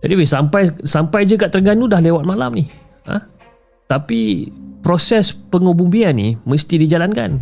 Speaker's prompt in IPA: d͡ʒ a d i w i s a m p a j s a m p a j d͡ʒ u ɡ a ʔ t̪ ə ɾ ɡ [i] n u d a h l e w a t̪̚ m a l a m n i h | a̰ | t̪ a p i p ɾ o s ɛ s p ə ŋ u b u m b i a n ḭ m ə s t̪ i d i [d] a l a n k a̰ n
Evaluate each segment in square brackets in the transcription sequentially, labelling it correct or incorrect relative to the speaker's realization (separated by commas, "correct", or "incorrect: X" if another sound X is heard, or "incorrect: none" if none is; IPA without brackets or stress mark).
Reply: incorrect: a, incorrect: d͡ʒ